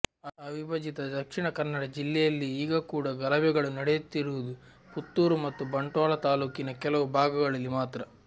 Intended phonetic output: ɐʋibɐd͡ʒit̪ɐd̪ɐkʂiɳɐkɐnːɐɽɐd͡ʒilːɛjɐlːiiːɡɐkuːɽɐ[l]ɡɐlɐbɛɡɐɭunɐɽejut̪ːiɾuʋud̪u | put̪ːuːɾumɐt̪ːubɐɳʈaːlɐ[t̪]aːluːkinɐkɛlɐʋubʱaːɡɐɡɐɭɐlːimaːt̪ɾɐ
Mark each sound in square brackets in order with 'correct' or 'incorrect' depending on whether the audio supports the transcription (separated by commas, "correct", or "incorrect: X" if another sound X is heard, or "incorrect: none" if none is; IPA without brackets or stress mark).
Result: incorrect: none, correct